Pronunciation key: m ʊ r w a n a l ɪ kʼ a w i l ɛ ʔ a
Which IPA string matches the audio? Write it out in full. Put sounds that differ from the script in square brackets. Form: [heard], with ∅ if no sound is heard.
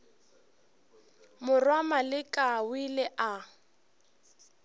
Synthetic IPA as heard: m ʊ r w a [m] a l ɪ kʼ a w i l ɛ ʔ a